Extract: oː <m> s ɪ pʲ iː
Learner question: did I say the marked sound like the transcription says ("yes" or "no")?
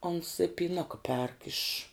no